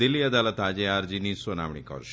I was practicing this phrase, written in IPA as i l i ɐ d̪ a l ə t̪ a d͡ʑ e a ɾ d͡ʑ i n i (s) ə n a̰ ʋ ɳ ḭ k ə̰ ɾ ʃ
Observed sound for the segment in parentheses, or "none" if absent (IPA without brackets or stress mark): s